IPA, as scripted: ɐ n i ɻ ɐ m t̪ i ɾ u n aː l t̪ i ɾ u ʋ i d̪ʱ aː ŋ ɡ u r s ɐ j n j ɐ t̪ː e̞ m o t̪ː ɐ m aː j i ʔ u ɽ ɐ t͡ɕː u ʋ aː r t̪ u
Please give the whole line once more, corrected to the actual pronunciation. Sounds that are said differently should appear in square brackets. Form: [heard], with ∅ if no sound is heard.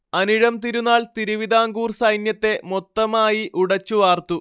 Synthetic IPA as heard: ɐ n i ɻ ɐ m t̪ i ɾ u [nː] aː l t̪ i ɾ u ʋ i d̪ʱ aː ŋ ɡ [uː] r s ɐ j n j ɐ t̪ː e̞ m o t̪ː ɐ m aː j i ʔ u ɽ ɐ t͡ɕː u ʋ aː r t̪ u